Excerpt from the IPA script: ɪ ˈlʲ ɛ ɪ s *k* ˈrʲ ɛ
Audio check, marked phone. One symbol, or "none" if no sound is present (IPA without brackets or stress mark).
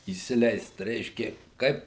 t